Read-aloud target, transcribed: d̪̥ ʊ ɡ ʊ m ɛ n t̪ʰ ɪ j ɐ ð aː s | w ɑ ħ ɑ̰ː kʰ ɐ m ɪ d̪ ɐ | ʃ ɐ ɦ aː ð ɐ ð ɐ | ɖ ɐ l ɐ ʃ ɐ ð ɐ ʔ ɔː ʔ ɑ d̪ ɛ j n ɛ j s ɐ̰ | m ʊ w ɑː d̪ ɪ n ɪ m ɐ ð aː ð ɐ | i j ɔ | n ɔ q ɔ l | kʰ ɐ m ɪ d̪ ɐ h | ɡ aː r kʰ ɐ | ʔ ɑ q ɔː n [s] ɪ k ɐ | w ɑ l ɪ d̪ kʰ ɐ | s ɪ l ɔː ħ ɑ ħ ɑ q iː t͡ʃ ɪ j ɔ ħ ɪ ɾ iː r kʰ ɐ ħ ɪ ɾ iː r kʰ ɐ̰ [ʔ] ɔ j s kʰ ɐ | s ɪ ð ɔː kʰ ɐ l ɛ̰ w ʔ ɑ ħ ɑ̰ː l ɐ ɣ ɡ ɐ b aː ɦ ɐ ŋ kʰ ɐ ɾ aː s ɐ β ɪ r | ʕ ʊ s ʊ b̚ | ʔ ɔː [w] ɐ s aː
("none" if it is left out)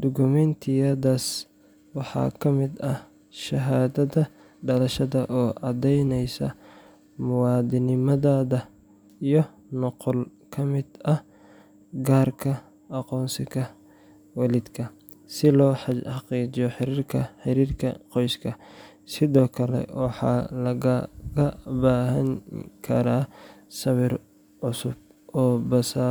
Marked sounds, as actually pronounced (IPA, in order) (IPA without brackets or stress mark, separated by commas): s, q, b